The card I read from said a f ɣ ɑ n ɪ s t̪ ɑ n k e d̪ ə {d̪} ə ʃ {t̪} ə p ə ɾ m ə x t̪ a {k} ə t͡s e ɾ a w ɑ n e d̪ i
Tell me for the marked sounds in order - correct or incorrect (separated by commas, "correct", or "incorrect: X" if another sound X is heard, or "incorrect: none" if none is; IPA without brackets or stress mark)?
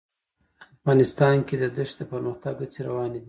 correct, incorrect: d̪, incorrect: ɡ